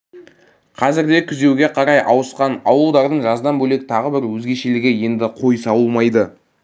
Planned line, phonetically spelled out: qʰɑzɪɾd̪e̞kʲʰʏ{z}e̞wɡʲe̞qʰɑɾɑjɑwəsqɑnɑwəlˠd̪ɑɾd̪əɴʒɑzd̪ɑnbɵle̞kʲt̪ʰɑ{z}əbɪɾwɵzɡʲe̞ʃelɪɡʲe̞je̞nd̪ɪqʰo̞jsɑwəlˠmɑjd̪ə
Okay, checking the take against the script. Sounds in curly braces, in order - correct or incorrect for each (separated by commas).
correct, incorrect